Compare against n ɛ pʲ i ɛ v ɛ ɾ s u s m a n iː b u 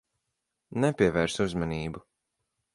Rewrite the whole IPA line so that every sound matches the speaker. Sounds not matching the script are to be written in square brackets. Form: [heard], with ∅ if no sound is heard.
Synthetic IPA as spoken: n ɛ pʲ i ɛ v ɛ ɾ s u [z] m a n iː b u